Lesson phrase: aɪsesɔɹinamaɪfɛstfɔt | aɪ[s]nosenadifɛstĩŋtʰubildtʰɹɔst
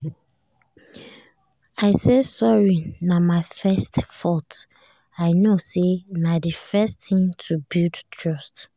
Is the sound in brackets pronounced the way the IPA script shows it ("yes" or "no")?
no